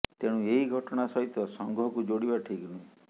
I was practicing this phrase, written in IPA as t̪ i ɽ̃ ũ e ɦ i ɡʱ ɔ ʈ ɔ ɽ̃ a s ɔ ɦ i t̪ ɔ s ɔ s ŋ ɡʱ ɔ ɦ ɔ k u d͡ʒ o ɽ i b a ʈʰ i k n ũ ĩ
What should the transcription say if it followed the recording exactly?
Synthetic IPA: t̪ e ɽ̃ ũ e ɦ i ɡʱ ɔ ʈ ɔ ɽ̃ a s ɔ ɦ i t̪ ɔ s ɔ ŋ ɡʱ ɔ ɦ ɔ k u d͡ʒ o ɽ i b a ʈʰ i k n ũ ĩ